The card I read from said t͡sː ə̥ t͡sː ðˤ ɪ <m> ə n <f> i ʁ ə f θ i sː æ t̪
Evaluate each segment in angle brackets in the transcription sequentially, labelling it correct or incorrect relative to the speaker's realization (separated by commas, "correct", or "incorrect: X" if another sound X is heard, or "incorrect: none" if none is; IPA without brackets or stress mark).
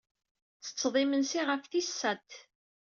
correct, incorrect: s